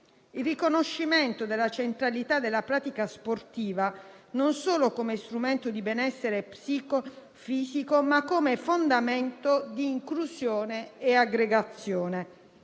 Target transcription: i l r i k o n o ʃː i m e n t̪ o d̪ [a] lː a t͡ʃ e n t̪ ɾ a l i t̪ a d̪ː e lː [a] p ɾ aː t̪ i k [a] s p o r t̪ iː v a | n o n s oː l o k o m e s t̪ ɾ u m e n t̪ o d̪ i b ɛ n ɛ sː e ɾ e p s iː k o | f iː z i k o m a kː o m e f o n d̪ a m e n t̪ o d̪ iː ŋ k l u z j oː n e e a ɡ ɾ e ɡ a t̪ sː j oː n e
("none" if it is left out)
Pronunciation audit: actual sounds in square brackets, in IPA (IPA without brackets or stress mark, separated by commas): e, a, a